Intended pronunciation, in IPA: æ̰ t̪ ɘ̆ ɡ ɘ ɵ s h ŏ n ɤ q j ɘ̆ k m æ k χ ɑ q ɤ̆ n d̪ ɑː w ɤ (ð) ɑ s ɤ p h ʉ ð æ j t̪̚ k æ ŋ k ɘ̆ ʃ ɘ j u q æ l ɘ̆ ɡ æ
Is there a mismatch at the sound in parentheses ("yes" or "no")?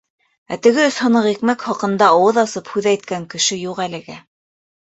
no